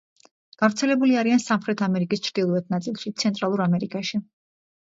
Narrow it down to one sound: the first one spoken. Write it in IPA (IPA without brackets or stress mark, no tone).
ɡ̥